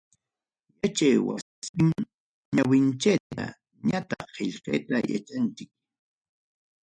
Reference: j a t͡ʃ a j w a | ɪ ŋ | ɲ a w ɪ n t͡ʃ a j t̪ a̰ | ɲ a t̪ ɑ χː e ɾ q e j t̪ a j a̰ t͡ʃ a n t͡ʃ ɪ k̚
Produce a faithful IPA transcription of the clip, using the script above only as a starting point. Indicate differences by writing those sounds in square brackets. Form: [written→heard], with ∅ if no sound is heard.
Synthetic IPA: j a t͡ʃ a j w a | ɪ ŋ | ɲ a w ɪ n t͡ʃ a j t̪ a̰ | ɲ a t̪ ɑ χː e [ɾ→ʎ] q e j t̪ a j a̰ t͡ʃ a n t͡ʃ ɪ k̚